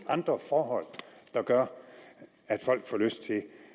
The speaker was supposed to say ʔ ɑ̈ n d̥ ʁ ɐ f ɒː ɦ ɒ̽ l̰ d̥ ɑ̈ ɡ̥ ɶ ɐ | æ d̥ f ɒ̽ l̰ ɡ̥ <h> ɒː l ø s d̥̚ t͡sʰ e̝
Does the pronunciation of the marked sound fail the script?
yes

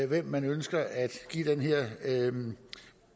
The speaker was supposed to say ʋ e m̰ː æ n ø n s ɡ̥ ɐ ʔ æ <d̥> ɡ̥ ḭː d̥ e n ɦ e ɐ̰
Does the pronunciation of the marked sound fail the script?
no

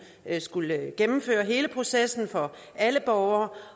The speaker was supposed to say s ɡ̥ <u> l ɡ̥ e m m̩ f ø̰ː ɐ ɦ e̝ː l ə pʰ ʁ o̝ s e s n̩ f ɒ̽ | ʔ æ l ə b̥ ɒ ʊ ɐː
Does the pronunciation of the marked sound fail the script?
no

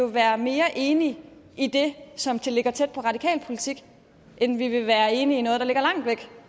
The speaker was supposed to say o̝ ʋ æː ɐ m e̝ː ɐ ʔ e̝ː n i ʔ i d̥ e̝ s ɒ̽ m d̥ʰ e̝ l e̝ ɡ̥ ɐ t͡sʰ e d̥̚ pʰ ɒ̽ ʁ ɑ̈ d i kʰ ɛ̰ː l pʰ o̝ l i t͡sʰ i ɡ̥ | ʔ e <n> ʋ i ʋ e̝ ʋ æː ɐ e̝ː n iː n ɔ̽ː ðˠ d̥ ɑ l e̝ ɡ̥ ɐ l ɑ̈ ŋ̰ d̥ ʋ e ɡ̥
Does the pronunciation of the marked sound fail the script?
no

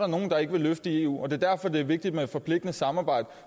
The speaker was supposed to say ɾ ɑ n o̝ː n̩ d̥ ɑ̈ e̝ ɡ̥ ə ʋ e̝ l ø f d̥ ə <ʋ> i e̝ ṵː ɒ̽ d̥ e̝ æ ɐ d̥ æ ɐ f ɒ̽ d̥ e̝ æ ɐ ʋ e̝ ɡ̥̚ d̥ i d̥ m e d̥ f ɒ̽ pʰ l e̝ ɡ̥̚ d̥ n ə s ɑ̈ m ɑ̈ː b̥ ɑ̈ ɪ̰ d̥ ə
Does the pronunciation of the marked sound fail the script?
yes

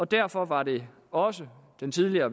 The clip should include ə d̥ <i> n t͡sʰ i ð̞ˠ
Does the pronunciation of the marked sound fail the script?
yes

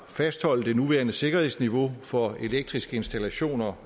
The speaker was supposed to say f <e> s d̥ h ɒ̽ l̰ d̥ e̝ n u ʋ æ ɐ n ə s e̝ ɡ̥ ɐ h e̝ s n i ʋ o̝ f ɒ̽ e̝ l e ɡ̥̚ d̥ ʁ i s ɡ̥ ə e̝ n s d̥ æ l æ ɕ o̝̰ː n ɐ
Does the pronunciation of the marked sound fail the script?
yes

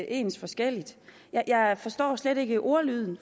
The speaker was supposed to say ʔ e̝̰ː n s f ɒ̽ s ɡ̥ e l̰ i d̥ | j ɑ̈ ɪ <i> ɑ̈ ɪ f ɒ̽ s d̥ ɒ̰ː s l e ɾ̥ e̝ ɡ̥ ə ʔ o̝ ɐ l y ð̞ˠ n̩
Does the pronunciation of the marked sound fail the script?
yes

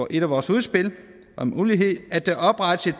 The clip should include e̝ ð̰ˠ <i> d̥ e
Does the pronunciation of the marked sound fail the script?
yes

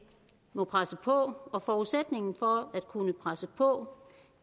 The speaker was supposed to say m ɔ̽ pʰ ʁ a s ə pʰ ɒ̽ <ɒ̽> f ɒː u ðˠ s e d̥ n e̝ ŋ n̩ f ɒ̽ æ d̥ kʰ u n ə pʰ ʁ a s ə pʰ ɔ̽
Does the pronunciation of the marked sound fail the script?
no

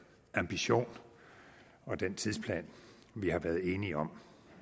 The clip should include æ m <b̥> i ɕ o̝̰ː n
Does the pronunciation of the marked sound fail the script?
no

